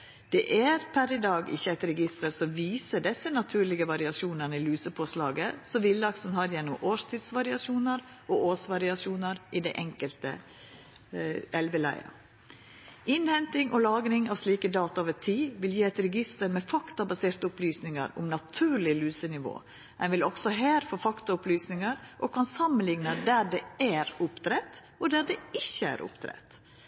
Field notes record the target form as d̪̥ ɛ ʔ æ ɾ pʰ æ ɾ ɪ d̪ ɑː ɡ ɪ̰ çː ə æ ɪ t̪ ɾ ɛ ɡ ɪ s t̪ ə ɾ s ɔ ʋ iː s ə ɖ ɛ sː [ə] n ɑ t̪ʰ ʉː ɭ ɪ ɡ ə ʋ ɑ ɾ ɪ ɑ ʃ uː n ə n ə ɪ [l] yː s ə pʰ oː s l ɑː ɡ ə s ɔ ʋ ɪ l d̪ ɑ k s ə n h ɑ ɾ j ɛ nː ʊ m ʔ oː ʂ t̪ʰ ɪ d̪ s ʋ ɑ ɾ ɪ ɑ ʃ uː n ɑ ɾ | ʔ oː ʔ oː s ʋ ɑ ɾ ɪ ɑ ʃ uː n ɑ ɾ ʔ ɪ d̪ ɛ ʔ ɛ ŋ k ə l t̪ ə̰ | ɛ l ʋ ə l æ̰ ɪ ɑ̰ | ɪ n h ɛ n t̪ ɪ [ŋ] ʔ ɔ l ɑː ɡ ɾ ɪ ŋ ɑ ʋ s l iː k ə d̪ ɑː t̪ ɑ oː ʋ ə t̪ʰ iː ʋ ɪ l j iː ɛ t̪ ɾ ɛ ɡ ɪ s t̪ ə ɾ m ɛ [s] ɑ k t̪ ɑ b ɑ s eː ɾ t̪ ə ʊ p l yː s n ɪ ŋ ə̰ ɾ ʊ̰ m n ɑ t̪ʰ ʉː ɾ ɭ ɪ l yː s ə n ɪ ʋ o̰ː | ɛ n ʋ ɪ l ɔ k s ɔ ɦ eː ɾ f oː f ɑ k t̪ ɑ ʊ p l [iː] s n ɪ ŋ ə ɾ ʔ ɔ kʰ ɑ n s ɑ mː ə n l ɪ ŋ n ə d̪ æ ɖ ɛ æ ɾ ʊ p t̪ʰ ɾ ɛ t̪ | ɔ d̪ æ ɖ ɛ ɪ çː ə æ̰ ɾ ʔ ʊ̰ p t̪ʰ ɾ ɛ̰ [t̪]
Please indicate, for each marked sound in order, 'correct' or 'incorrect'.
correct, correct, correct, incorrect: f, incorrect: yː, correct

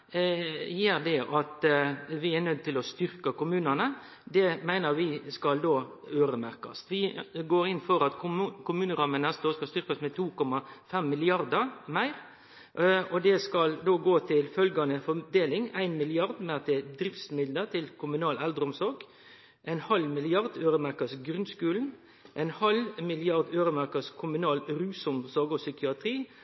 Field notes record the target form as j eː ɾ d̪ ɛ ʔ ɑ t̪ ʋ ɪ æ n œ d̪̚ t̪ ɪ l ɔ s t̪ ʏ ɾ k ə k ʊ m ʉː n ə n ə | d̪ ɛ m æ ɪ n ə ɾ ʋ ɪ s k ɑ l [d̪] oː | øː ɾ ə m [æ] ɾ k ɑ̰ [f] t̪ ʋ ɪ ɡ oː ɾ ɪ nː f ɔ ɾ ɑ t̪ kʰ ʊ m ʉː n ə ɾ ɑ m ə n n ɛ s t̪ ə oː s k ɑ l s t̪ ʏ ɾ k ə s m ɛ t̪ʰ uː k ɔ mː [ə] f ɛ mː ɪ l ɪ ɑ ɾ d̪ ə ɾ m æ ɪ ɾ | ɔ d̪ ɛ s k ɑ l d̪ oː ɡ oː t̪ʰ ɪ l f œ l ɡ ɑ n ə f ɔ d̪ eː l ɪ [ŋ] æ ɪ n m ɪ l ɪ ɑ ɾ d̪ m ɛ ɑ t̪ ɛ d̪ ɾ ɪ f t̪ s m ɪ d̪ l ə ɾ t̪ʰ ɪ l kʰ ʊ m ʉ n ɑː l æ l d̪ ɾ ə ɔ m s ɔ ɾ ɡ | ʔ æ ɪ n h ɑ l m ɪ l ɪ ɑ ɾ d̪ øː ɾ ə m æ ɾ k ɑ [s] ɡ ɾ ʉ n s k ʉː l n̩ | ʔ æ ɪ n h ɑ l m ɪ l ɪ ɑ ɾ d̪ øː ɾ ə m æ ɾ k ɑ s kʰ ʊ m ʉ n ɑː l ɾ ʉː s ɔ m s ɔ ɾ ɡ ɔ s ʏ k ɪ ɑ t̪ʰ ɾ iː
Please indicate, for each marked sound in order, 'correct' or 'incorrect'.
correct, correct, incorrect: s, incorrect: ɑ, correct, correct

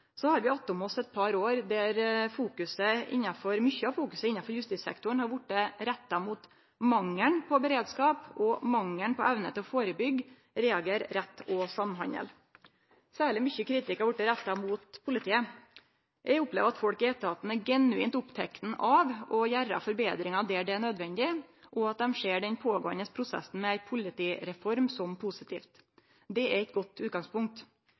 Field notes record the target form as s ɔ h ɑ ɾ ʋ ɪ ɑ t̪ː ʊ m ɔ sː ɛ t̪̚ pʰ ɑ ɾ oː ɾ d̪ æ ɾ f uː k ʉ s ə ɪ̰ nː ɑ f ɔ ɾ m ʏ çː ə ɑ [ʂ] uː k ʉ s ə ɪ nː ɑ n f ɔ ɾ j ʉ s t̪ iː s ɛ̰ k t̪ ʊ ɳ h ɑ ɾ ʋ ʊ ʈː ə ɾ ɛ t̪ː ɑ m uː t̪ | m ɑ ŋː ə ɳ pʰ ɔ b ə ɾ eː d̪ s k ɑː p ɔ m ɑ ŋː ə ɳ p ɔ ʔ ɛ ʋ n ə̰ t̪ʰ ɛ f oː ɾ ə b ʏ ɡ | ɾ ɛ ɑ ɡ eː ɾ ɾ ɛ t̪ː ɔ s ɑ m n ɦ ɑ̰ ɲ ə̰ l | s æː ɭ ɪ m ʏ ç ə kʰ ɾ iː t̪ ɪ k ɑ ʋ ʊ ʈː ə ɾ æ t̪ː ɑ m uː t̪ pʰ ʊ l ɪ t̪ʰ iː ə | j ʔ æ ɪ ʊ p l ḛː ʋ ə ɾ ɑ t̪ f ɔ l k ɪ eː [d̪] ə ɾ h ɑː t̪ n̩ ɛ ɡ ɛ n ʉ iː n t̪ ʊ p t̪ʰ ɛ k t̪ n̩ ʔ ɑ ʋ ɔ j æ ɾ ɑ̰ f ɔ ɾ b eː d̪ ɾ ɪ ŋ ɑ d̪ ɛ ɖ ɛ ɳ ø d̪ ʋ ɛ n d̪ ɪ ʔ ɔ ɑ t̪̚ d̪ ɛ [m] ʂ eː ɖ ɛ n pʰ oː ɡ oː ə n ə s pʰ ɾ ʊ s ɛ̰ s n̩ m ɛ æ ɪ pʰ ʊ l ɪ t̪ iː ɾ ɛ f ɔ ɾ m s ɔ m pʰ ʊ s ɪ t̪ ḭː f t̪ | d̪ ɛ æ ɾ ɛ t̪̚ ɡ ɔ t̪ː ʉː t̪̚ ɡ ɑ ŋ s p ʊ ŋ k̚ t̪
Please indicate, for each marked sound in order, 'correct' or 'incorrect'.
incorrect: f, incorrect: t̪, correct

